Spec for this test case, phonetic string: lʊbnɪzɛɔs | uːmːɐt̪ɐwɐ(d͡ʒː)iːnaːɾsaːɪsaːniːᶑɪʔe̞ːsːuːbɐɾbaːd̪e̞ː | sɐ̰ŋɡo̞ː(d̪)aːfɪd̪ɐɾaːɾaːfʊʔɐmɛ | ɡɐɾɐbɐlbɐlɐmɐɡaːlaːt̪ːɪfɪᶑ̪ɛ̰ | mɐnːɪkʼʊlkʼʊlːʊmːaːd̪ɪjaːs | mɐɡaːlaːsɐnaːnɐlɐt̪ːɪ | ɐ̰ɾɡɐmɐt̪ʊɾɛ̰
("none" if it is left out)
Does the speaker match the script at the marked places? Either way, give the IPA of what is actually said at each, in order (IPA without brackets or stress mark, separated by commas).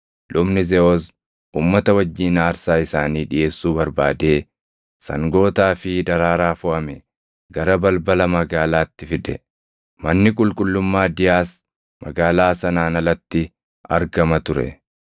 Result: d͡ʒː, t̪